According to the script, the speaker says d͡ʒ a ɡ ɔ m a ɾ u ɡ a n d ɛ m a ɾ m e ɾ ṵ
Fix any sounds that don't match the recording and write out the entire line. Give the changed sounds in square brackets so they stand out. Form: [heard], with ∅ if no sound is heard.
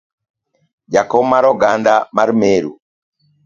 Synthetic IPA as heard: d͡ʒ a [k] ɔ m a ɾ [ɔ] ɡ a n d [a] m a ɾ m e ɾ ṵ